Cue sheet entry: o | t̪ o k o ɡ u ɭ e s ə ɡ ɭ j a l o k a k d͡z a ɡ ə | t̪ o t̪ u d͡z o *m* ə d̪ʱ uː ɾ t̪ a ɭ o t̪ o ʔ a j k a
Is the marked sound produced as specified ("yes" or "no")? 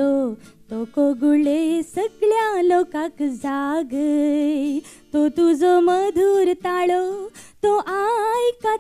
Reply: yes